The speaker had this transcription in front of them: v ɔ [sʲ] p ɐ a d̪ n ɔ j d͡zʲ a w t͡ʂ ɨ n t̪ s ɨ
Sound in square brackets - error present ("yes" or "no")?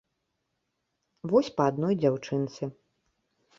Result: no